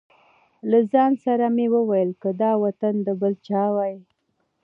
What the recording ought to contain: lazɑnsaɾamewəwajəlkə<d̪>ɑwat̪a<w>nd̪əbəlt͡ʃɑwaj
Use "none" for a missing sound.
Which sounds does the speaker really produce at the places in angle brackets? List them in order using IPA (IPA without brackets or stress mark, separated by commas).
d̪, none